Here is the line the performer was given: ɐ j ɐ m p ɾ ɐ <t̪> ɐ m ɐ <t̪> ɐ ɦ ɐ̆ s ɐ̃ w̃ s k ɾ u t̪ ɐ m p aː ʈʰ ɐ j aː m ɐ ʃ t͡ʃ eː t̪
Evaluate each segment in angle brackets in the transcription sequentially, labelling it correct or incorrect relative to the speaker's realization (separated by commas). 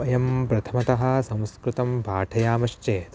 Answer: incorrect, correct